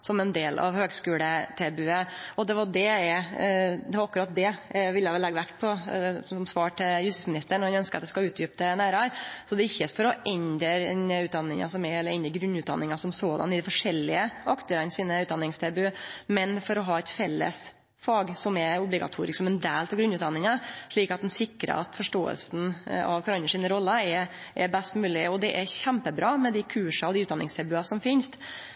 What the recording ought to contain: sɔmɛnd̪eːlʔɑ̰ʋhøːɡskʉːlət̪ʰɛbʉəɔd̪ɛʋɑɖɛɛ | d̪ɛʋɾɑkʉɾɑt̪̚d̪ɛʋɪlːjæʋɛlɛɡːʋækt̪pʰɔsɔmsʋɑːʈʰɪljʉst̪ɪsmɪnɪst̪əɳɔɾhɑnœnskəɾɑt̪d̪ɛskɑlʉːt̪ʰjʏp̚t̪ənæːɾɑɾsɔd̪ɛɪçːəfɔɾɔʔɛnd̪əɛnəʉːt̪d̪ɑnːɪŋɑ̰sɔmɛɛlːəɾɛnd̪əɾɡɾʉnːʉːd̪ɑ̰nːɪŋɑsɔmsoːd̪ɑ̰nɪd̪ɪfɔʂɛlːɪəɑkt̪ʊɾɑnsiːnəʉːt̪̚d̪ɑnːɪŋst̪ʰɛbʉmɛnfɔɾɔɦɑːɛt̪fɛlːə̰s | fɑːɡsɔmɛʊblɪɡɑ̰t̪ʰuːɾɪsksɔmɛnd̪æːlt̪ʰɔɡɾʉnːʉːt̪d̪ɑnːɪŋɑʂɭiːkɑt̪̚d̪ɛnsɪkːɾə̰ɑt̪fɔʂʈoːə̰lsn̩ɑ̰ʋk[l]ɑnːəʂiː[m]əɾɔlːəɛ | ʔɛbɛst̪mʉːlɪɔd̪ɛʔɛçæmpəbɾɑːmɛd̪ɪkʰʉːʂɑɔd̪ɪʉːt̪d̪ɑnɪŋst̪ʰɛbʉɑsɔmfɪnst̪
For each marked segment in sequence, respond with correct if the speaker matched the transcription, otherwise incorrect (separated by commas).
incorrect, incorrect